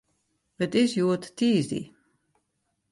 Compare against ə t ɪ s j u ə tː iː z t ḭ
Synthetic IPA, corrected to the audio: ə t ɪ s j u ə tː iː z d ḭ